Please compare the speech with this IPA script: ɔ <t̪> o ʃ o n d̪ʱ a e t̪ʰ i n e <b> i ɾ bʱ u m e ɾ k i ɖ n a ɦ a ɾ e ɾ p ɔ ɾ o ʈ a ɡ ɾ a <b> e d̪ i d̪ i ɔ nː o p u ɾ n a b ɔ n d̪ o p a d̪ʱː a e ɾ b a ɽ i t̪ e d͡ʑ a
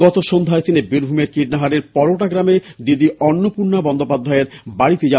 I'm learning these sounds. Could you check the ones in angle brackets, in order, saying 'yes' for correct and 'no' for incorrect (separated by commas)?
yes, yes, no